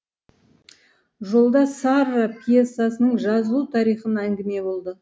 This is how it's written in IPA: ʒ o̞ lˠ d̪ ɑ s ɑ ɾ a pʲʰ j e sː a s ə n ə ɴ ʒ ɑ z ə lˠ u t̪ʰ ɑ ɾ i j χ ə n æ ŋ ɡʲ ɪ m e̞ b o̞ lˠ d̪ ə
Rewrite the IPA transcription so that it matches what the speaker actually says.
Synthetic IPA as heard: ʒ o̞ lˠ d̪ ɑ s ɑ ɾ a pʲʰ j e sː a s ə n ə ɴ ʒ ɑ z ə lˠ u t̪ʰ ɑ ɾ i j χ ə n æ ŋ ɡʲ ɪ m e̞ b o̞ lˠ d̪ ə

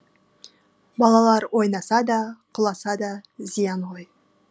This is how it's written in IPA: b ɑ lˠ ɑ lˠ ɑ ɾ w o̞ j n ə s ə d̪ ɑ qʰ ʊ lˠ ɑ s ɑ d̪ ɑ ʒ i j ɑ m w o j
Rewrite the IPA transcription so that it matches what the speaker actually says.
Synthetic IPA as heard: b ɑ lˠ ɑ lˠ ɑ ɾ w o̞ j n ɑ s ɑ d̪ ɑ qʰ ʊ lˠ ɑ s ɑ d̪ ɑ z i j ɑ n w o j

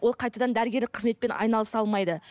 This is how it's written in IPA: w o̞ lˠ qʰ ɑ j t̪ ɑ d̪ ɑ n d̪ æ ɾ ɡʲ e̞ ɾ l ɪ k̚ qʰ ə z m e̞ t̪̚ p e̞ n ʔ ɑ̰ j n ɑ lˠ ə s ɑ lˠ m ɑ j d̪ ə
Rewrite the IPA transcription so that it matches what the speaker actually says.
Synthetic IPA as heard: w o̞ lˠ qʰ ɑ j t̪ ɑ d̪ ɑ n d̪ æ ɾ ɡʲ e̞ ɾ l ɪ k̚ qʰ ə z m e̞ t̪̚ p e̞ n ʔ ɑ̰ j n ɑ lˠ ə s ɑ lˠ m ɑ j d̪ ə

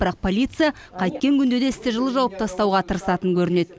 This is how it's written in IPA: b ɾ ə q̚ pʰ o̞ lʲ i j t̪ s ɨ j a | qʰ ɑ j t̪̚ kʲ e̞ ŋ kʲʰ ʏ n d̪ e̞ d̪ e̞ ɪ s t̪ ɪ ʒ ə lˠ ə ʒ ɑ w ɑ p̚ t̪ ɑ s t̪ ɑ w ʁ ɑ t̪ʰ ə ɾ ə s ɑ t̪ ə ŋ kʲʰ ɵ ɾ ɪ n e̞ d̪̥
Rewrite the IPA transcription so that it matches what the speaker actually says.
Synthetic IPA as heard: b ɾ ɑ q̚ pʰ o̞ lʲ i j t̪ s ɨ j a | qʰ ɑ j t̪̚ kʲ e̞ ŋ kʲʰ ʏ n d̪ e̞ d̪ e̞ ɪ s t̪ ɪ ʒ ə lˠ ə ʒ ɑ w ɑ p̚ t̪ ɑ s t̪ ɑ w ʁ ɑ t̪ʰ ə ɾ ə s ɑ t̪ ə ŋ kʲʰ ɵ ɾ ɪ n e̞ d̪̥

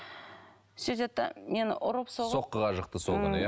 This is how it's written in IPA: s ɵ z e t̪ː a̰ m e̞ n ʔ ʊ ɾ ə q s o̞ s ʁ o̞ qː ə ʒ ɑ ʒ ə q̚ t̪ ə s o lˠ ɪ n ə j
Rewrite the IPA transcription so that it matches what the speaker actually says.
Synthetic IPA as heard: s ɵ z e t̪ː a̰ m e̞ n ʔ ʊ ɾ ə p s o̞ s ʁ o̞ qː ə ʁ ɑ ʒ ə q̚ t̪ ə s o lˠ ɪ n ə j

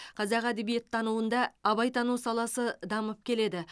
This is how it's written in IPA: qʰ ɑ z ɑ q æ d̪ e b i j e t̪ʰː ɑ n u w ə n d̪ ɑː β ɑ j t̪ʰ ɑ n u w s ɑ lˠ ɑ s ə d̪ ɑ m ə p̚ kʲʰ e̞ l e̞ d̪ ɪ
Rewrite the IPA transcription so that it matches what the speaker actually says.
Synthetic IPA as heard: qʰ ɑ z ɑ q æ d̪ e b i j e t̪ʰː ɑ n u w ə n d̪ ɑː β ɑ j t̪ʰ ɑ n u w s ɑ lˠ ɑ s ə d̪ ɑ m ə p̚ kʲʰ e̞ l e̞ d̪ ɪ

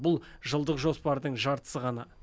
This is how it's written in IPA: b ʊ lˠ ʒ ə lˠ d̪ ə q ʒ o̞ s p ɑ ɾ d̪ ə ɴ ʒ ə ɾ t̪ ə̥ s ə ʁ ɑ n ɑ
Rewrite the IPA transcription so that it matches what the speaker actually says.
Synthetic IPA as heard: b ʊ lˠ ʒ ə lˠ d̪ ə q ʒ o̞ s p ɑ ɾ d̪ ə ɴ ʒ ɑ ɾ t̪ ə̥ s ə ʁ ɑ n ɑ

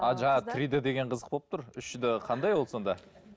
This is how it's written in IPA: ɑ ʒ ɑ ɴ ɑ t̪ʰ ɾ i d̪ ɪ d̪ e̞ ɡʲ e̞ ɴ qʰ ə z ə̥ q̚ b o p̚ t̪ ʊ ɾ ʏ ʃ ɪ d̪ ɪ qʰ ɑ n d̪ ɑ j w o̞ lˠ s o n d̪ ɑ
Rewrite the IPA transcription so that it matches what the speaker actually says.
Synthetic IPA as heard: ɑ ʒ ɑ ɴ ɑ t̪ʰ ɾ i d̪ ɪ d̪ e̞ ɡʲ e̞ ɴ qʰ ə z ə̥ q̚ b o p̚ t̪ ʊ ɾ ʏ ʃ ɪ d̪ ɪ qʰ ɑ n d̪ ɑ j w o̞ lˠ s o n d̪ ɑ

